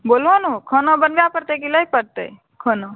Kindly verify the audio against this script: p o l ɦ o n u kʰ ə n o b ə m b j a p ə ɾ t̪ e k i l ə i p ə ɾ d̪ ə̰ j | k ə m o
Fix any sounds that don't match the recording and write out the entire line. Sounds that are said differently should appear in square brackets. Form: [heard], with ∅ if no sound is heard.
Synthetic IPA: [b] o l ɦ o n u kʰ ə n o b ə [n] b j a p ə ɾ t̪ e k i l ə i p ə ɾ [t̪] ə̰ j | [kʰ] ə [n] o